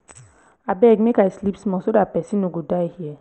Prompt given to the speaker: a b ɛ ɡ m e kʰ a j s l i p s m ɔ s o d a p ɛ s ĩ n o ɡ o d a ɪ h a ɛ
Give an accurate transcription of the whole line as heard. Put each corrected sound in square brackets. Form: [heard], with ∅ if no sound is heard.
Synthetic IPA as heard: a b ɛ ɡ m e [k] a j s l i p s m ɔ s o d a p ɛ s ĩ n o ɡ o d a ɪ h [i] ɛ